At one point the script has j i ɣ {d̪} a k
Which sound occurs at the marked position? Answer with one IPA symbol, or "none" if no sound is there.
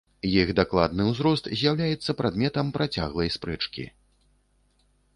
d̪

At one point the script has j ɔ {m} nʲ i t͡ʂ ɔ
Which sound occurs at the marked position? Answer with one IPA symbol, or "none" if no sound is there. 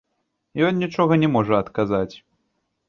n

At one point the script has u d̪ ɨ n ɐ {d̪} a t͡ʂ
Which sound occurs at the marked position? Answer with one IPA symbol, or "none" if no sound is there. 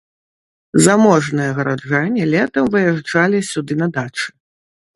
d̪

